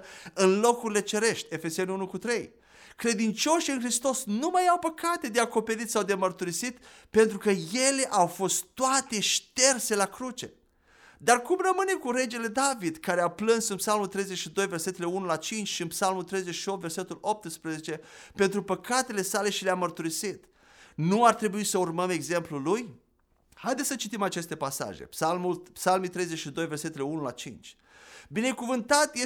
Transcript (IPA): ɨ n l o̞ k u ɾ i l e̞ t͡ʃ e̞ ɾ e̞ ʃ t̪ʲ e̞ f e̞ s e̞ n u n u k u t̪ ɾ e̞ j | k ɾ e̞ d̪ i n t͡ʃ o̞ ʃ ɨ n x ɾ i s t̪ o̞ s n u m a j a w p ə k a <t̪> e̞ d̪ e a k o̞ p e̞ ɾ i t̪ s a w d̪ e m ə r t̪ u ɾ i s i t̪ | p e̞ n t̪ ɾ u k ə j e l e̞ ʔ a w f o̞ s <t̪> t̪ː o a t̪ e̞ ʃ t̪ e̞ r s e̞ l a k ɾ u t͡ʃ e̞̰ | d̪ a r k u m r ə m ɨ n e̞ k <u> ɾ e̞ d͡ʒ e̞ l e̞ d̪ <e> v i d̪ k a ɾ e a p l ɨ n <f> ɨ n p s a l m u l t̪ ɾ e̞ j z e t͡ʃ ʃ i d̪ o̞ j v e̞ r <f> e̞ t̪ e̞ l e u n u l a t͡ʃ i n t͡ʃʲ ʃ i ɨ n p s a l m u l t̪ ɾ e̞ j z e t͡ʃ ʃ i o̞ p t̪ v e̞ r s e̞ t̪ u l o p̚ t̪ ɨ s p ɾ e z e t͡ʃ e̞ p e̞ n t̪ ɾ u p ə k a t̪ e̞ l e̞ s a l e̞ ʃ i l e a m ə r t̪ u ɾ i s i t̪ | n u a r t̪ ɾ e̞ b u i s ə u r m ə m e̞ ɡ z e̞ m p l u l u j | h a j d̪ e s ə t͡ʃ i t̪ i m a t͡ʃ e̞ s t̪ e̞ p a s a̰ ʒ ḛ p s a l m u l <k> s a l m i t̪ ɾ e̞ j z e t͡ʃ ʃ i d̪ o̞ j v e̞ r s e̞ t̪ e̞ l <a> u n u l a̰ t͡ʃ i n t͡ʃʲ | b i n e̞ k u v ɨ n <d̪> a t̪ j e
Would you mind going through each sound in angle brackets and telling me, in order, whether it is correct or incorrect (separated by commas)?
correct, correct, correct, incorrect, incorrect, incorrect, incorrect, incorrect, incorrect